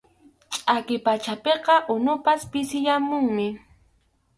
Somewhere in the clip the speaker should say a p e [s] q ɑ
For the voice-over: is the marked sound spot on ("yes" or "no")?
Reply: no